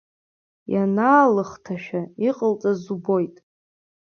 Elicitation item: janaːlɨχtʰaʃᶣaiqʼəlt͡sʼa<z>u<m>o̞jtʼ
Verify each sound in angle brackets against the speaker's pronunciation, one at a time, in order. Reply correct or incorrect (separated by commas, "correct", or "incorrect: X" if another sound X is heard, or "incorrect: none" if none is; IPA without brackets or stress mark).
correct, incorrect: b